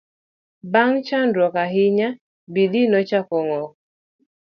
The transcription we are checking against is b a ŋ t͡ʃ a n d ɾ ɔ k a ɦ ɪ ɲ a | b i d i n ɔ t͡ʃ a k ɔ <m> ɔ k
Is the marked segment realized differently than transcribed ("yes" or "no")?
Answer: yes